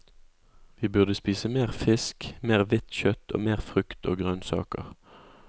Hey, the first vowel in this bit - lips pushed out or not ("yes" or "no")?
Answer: no